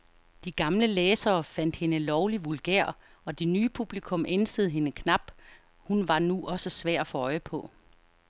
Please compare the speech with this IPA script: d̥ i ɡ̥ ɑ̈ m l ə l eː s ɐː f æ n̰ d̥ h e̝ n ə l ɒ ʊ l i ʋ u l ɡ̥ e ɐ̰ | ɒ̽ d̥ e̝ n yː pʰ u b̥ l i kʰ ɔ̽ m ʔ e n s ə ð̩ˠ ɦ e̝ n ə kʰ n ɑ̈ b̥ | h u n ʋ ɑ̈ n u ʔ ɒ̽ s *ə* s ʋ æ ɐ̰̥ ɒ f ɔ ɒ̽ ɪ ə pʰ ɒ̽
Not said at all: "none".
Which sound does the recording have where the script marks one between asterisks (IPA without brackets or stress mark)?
ə